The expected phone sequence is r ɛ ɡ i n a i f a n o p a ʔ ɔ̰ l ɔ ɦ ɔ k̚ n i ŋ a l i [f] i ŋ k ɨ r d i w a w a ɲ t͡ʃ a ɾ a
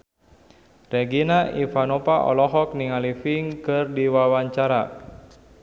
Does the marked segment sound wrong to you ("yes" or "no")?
no